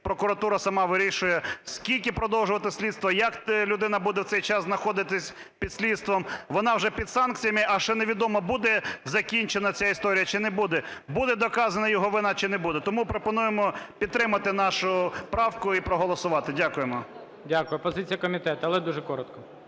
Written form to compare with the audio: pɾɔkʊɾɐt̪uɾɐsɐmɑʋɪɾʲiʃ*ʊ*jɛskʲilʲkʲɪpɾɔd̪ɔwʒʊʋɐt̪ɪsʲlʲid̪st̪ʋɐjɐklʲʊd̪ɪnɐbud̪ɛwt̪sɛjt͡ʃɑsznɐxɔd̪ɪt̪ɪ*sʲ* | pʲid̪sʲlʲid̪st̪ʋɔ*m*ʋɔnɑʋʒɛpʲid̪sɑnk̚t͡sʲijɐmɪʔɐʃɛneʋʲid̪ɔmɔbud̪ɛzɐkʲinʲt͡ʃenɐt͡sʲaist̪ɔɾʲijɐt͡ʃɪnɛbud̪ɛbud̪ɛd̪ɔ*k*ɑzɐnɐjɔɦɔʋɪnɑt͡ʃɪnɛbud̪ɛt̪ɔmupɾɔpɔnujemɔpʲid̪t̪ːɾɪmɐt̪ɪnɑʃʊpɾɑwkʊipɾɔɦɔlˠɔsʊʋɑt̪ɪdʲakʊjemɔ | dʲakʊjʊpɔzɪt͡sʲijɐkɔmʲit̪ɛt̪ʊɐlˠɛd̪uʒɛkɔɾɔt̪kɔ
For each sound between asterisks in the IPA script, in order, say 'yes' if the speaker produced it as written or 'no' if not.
yes, yes, yes, yes

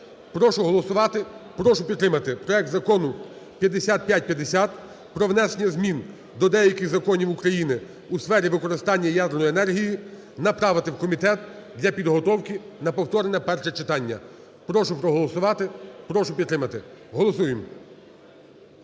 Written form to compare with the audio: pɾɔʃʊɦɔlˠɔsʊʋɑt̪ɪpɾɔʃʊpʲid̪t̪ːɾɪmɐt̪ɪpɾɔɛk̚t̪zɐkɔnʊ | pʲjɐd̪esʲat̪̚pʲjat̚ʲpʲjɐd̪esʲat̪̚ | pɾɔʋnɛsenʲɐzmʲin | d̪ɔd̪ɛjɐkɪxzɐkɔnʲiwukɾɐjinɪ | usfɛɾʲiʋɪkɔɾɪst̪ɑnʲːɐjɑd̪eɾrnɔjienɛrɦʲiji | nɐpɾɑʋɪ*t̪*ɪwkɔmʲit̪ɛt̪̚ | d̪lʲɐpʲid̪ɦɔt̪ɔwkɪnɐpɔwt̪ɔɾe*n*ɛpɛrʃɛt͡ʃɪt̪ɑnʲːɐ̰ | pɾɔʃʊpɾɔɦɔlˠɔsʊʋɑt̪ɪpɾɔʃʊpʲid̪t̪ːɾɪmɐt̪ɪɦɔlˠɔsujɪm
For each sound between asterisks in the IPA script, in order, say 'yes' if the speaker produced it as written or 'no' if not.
yes, yes

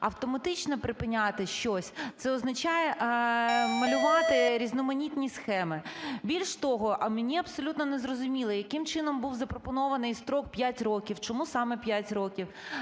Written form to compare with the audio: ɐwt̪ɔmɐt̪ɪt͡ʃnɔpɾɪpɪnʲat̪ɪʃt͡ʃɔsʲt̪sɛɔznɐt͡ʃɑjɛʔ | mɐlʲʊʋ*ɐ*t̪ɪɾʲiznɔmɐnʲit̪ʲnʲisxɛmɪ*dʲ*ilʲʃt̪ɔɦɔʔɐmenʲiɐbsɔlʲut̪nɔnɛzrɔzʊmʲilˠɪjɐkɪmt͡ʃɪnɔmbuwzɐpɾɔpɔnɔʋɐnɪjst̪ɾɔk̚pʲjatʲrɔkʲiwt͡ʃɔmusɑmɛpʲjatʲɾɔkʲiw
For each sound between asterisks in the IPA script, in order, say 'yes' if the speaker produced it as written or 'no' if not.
no, no

